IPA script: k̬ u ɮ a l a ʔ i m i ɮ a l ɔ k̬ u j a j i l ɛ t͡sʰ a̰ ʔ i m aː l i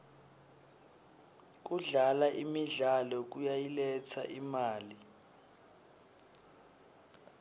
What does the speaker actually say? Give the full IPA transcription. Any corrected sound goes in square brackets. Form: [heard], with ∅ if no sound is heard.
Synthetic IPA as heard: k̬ u ɮ a l a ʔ i m i ɮ a l ɔ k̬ u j a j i l ɛ t͡sʰ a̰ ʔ i m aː l i